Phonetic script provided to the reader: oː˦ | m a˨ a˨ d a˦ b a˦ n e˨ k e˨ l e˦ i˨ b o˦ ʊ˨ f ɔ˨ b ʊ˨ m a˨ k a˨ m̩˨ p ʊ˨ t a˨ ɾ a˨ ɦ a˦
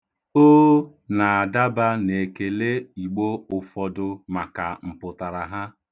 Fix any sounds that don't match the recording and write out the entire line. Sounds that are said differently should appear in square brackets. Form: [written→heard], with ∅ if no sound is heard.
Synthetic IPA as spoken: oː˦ | [m→n] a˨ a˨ d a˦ b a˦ n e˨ k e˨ l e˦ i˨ [b→ɡ͡b] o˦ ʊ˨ f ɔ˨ [b→d] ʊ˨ m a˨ k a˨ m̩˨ p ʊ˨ t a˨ ɾ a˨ ɦ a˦